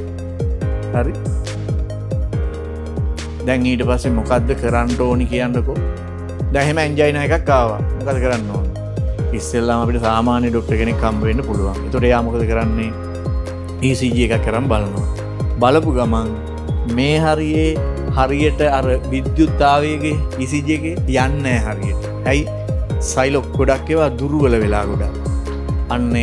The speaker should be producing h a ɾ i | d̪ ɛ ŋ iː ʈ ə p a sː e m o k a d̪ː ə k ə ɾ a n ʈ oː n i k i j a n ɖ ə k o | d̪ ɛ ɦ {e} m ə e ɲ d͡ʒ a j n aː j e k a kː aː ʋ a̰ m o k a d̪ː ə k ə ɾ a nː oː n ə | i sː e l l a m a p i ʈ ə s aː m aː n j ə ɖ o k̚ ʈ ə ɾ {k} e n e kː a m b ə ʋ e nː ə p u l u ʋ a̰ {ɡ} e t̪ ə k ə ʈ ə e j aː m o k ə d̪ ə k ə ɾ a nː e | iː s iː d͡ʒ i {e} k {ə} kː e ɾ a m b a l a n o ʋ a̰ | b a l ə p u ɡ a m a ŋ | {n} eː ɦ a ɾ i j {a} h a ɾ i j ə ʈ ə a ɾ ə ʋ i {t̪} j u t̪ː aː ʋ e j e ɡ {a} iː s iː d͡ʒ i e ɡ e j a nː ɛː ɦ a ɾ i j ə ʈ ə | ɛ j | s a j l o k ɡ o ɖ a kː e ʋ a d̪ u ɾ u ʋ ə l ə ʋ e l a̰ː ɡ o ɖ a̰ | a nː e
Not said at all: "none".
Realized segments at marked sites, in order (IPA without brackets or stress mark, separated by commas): e, k, ŋ, e, a, m, e, d̪, e